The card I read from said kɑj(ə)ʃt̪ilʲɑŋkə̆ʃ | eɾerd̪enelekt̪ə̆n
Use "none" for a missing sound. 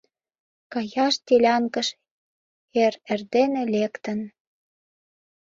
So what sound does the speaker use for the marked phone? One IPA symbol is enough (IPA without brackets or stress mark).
ɑ